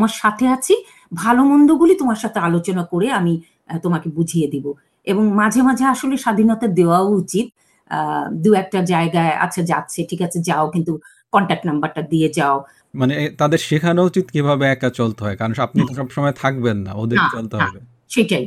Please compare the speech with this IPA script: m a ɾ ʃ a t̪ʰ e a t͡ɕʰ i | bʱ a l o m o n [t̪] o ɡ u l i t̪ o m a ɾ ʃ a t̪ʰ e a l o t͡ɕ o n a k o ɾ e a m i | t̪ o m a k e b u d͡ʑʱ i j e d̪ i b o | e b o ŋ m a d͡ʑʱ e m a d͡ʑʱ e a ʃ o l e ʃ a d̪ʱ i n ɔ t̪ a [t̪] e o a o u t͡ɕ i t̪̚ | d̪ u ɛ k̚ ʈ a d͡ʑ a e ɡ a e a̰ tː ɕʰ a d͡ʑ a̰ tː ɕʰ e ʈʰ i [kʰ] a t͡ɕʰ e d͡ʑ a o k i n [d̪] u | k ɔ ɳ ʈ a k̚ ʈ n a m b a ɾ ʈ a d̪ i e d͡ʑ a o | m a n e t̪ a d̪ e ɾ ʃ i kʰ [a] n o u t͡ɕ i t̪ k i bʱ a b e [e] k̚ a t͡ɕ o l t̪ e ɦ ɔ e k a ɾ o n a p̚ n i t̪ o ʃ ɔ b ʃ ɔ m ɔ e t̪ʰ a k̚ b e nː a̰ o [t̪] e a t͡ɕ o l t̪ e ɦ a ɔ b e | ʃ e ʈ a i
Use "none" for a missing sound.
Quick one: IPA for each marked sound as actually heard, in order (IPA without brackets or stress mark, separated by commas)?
d̪, d̪, k, t̪, a, ɛ, d̪